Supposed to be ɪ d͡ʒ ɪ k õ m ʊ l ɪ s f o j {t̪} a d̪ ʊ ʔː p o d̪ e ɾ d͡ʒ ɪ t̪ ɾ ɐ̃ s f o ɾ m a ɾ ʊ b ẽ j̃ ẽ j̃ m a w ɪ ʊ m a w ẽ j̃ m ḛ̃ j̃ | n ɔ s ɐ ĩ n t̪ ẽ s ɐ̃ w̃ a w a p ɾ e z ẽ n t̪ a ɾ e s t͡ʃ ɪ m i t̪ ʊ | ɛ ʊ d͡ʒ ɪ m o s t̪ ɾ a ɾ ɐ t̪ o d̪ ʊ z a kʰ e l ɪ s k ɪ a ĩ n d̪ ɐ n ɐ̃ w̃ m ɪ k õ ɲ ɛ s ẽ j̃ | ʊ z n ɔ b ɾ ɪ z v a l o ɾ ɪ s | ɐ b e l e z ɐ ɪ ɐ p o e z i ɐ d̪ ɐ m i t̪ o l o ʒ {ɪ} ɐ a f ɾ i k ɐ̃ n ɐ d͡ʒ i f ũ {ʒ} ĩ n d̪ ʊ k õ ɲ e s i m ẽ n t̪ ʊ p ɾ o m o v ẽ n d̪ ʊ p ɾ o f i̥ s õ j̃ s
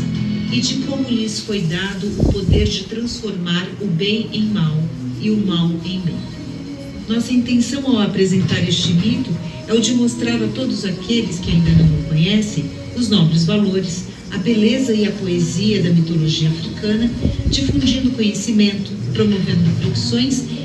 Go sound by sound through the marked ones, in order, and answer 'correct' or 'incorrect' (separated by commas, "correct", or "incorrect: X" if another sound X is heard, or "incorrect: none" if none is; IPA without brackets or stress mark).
incorrect: d̪, incorrect: i, incorrect: d͡ʒ